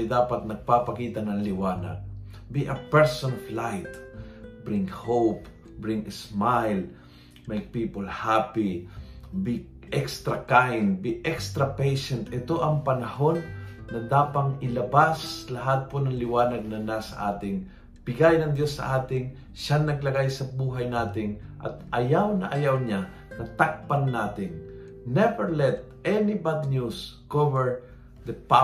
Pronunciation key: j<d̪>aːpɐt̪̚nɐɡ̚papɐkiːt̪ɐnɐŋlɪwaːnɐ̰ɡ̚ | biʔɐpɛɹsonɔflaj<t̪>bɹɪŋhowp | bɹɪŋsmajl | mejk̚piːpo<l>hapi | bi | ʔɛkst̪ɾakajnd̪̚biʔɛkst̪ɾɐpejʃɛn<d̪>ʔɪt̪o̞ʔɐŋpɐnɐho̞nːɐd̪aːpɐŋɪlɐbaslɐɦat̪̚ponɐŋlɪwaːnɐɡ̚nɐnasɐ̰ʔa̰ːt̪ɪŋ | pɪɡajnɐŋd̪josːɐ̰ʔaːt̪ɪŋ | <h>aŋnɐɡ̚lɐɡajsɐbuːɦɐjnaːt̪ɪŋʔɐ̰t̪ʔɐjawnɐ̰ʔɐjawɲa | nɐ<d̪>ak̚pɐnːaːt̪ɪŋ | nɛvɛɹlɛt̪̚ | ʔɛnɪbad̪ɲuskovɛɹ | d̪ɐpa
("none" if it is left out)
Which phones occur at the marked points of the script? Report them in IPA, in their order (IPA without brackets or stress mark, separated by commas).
d̪, t̪, l, t̪, ʃ, t̪